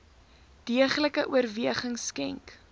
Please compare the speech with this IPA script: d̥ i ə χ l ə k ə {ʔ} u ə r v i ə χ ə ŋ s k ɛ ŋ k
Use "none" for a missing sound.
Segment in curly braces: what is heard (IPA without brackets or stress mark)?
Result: ʔ